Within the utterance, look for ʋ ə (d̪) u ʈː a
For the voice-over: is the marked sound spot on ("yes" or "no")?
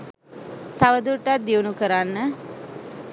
yes